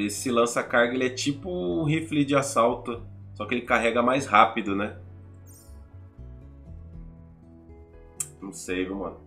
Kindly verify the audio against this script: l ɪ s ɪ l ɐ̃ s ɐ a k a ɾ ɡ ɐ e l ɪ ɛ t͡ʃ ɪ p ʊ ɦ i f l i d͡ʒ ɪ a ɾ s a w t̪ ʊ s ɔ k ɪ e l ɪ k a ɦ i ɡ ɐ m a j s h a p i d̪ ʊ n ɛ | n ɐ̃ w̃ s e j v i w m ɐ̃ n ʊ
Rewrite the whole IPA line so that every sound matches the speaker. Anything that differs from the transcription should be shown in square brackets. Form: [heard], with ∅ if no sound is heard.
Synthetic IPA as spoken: l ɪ s ɪ l ɐ̃ s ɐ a k a ɾ ɡ ɐ e l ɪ ɛ t͡ʃ [i] p ʊ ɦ i f l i d͡ʒ ɪ a [∅] s a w t̪ ʊ s ɔ k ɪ e l ɪ k a ɦ [ɛ] ɡ ɐ m a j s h a p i d̪ ʊ n ɛ | n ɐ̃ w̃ s e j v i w m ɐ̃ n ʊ